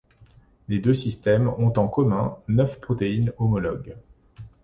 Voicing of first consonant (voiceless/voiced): voiced